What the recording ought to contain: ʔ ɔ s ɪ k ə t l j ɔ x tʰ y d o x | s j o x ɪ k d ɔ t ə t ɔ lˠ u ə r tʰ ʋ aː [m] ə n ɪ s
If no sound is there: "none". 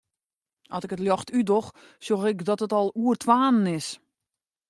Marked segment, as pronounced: n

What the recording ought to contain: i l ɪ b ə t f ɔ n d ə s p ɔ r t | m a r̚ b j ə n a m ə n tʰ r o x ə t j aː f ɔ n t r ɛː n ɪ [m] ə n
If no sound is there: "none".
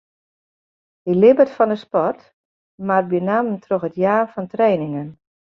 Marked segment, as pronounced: ŋ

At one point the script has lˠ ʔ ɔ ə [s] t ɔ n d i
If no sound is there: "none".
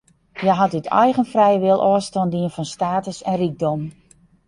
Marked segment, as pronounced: s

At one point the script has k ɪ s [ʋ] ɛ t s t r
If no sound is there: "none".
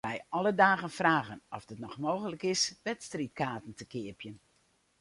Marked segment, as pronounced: ʋ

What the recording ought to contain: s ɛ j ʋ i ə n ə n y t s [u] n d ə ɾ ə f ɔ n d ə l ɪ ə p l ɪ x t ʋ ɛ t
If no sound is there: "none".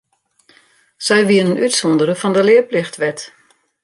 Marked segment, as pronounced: ɔ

